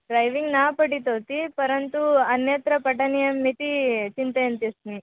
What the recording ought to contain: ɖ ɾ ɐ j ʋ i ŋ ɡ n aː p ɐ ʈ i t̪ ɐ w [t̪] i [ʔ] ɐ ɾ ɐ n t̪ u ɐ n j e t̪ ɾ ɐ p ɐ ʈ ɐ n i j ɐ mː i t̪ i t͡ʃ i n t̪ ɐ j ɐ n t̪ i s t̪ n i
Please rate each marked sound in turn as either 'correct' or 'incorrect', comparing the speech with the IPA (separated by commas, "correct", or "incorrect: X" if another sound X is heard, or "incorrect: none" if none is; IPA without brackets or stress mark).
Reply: correct, incorrect: p